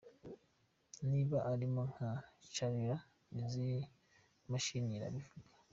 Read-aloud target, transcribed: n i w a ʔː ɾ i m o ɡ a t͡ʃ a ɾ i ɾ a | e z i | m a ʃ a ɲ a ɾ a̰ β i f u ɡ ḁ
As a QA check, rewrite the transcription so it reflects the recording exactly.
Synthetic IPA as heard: n i β a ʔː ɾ i m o ŋ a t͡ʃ a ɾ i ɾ a | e z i | m a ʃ i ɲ i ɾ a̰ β i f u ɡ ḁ

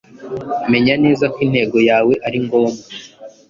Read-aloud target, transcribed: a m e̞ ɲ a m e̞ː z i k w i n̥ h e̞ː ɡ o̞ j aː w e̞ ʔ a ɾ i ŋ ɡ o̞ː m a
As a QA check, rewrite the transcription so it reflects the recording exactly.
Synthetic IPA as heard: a m e̞ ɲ a n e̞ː z a k w i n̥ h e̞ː ɡ o̞ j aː w e̞ ʔ a ɾ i ŋ ɡ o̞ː m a

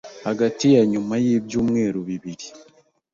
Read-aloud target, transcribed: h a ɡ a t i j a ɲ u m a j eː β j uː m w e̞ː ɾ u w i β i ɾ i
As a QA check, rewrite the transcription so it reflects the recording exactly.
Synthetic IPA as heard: h a ɡ a t i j a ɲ u m a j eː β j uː m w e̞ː ɾ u β i β i ɾ i

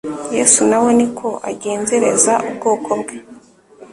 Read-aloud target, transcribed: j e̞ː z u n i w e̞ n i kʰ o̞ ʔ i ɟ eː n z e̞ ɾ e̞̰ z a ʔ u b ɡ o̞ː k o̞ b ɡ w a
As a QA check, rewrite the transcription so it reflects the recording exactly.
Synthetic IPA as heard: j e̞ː s u n a w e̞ n i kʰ o̞ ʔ a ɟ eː n z e̞ ɾ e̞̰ z a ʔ u b ɡ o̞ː k o̞ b ɡ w e

